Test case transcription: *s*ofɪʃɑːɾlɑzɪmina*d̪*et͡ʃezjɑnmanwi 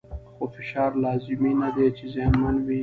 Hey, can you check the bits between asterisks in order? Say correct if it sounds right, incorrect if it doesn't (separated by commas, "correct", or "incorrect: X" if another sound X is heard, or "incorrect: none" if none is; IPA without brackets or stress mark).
incorrect: x, correct